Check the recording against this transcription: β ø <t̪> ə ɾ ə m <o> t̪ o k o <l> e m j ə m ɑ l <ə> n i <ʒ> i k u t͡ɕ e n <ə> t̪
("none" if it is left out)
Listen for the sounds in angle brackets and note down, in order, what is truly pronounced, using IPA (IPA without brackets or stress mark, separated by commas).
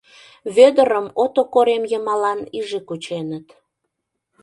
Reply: d̪, o, ɾ, ɑ, ʒ, ə